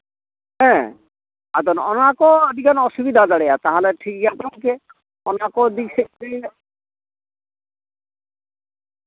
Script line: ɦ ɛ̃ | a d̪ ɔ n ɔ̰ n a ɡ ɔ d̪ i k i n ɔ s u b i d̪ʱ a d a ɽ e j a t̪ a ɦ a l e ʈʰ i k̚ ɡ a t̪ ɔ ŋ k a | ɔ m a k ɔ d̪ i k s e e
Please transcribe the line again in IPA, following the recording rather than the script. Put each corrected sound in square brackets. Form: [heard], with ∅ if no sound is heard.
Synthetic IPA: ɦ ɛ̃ | a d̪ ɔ n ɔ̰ n a [k] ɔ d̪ i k [a] n ɔ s u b i d̪ʱ a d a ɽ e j a t̪ a ɦ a l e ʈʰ i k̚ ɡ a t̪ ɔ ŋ k [e] | ɔ [n] a k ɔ d̪ i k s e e